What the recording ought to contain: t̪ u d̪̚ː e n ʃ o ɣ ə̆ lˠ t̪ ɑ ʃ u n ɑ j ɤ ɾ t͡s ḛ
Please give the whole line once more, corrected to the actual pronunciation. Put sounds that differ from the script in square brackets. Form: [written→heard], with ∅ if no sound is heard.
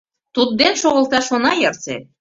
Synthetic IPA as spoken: t̪ u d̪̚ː e n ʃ o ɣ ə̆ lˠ t̪ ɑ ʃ [u→o] n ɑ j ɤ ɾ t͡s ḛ